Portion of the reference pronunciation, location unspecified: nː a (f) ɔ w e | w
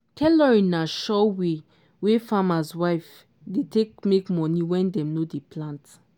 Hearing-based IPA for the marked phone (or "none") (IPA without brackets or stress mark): ʃ